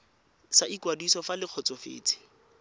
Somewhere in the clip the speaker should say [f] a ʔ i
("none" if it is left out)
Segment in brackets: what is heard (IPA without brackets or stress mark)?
s